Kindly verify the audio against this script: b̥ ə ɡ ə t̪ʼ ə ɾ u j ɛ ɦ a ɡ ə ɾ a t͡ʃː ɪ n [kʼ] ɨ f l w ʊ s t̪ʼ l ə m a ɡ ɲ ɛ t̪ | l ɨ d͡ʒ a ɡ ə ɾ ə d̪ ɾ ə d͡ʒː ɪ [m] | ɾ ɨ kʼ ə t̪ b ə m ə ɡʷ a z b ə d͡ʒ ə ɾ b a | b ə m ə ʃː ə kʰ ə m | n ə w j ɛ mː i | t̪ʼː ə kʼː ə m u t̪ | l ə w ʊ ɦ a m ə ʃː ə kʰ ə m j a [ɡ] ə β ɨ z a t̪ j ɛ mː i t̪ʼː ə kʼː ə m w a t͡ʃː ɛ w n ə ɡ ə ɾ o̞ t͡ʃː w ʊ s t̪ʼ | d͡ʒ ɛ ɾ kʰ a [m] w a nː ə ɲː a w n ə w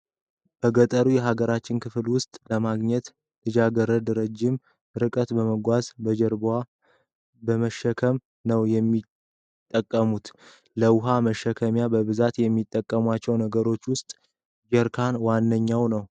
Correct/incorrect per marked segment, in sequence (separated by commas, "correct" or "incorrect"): incorrect, correct, incorrect, incorrect